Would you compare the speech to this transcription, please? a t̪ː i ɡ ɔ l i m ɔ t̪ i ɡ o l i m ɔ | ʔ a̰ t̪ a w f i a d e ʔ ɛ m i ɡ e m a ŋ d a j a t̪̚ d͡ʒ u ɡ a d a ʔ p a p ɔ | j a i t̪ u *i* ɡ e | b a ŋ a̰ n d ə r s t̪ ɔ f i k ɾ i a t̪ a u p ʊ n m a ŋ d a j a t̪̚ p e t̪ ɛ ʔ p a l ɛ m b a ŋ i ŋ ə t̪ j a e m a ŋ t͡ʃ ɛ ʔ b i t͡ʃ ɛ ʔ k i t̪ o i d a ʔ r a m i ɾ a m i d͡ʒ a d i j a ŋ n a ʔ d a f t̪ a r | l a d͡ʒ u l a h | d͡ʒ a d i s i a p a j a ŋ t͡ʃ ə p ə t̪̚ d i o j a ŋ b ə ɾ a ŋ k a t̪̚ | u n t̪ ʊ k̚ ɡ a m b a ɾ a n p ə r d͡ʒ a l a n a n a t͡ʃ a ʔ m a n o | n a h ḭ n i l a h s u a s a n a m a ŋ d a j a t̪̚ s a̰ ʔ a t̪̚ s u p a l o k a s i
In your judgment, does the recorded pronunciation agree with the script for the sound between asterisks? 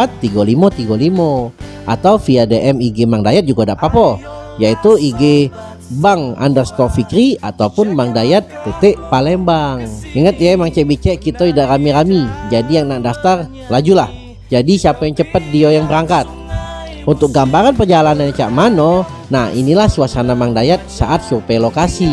yes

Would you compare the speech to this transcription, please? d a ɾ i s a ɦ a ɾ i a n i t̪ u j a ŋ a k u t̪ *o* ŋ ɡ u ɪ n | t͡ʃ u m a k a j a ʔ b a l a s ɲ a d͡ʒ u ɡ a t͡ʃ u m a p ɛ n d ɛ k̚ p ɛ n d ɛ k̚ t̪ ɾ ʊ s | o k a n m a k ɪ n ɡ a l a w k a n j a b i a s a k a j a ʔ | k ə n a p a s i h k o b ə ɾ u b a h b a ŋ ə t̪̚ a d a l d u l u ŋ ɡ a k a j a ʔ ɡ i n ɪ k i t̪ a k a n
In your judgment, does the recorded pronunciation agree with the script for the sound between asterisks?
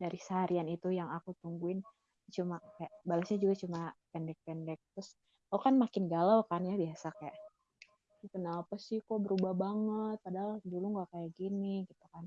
no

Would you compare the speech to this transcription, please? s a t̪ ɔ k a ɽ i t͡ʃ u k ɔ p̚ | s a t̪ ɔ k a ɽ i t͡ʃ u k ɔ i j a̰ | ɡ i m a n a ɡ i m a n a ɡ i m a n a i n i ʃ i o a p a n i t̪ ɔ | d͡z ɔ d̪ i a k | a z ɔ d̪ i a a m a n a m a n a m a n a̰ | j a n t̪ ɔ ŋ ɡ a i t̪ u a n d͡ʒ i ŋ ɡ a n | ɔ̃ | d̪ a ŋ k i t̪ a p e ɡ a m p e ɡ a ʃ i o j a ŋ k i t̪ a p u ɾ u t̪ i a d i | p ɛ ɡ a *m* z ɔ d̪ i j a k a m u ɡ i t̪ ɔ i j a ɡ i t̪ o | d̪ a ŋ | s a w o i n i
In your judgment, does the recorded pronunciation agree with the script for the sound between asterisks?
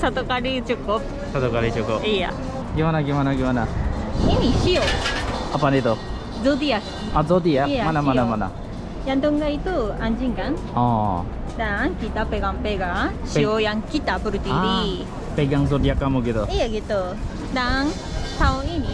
no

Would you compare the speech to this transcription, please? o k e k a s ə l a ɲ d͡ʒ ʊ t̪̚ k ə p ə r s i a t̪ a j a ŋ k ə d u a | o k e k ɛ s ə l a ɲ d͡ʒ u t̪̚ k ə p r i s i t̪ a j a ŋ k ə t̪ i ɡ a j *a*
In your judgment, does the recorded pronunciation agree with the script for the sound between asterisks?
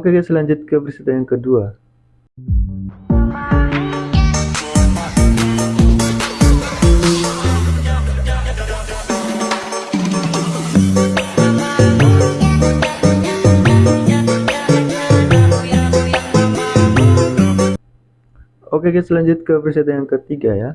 yes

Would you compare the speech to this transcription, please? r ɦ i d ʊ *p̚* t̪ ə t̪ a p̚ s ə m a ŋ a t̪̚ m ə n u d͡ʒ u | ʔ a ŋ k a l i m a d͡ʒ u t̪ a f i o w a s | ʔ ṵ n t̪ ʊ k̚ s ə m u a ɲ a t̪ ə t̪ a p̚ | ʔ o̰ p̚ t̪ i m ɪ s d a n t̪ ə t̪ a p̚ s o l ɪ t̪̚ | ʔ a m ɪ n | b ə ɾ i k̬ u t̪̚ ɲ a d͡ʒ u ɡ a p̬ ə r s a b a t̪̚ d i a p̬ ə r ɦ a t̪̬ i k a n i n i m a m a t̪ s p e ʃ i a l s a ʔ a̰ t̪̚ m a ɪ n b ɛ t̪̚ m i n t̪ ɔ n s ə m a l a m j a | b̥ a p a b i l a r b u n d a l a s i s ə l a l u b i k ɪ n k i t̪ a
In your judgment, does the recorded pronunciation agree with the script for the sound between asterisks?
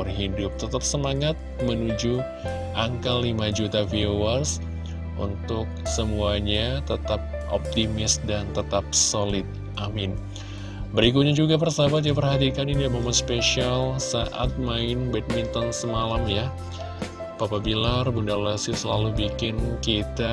yes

